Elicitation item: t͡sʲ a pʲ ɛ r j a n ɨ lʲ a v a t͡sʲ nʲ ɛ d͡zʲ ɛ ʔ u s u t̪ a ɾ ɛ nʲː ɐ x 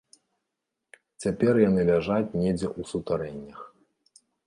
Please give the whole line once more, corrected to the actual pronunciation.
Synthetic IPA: t͡sʲ a pʲ ɛ r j a n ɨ lʲ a ʐ a t͡sʲ nʲ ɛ d͡zʲ ɛ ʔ u s u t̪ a ɾ ɛ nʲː ɐ x